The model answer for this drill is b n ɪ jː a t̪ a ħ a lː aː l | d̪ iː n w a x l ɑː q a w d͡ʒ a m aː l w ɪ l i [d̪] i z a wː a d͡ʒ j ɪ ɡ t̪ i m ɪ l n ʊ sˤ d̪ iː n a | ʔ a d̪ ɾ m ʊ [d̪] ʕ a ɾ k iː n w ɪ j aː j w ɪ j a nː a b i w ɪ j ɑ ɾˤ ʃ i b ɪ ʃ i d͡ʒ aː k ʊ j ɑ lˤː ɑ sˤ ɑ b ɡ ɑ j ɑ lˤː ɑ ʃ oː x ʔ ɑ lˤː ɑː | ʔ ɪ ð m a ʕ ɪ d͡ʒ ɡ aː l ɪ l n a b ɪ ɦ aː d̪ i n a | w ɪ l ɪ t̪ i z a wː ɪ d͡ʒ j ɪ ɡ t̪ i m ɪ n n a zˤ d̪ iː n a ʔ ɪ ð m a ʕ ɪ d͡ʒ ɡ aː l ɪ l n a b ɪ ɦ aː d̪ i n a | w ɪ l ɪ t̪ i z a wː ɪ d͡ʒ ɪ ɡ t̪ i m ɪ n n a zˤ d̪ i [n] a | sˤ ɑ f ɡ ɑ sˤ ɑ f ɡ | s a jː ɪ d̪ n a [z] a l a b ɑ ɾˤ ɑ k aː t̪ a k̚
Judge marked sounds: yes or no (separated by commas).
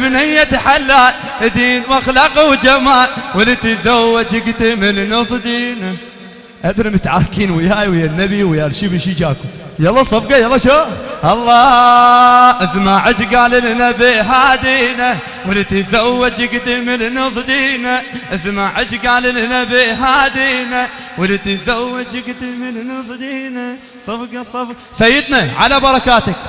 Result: no, no, yes, no